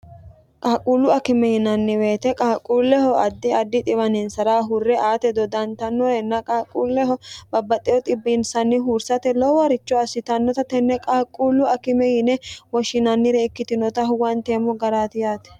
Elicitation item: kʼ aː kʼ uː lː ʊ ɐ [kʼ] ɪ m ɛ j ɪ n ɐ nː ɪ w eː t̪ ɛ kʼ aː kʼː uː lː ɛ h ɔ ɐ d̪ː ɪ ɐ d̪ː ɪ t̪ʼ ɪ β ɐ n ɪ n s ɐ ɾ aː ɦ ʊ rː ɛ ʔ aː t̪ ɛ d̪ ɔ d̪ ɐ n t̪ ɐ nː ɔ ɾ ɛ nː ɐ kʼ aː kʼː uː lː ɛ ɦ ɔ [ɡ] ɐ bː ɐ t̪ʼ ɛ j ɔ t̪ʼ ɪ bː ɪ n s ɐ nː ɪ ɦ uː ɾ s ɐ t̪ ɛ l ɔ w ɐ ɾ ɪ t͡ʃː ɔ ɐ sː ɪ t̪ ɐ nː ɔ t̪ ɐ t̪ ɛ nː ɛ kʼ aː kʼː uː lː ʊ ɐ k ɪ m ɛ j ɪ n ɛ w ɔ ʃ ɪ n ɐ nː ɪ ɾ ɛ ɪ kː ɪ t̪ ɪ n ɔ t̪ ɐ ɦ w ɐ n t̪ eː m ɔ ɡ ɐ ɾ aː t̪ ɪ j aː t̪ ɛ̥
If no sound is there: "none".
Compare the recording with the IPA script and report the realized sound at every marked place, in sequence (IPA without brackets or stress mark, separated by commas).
k, b